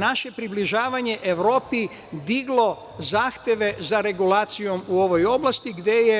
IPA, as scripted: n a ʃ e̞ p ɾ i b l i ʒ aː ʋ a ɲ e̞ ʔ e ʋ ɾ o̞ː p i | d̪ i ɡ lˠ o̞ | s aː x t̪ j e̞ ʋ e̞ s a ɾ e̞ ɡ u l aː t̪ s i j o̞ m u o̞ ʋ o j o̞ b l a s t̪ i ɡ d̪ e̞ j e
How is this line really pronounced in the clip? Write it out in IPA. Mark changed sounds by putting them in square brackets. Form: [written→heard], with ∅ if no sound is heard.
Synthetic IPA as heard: n a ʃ e̞ p ɾ i b l i ʒ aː ʋ a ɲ e̞ ʔ e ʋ ɾ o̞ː p i | d̪ i ɡ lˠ o̞ | [s→z] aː x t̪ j e̞ ʋ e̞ [s→z] a ɾ e̞ ɡ u l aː t̪ s i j o̞ m u o̞ ʋ o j o̞ b l a s t̪ i ɡ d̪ e̞ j e